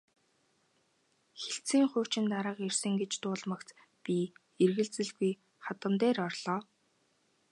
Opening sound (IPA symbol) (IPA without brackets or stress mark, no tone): x